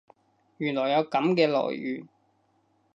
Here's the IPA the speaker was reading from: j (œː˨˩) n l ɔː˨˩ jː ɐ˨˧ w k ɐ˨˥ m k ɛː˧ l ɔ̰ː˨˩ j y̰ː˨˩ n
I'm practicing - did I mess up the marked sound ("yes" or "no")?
yes